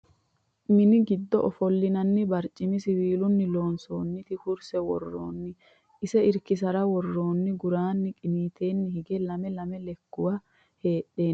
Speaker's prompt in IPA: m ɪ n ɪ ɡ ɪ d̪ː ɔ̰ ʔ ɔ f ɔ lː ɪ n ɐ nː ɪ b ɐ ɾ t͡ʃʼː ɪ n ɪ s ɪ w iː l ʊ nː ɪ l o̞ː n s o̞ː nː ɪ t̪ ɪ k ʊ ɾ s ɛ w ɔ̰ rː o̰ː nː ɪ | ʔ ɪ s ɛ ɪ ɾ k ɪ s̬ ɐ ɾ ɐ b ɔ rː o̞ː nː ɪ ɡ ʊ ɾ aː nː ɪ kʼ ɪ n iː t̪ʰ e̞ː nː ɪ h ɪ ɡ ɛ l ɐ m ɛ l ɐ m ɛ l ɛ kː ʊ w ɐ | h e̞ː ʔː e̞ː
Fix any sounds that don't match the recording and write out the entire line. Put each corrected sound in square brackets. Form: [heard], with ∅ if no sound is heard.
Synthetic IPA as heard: m ɪ n ɪ ɡ ɪ d̪ː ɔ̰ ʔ ɔ f ɔ lː ɪ n ɐ nː ɪ b ɐ ɾ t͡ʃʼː ɪ [m] ɪ s ɪ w iː l ʊ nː ɪ l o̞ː n s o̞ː nː ɪ t̪ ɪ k ʊ ɾ s ɛ w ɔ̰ rː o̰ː nː ɪ | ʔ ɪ s ɛ ɪ ɾ k ɪ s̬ ɐ ɾ ɐ [w] ɔ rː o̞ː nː ɪ ɡ ʊ ɾ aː nː ɪ kʼ ɪ n iː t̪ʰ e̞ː nː ɪ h ɪ ɡ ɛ l ɐ m ɛ l ɐ m ɛ l ɛ kː ʊ w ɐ | h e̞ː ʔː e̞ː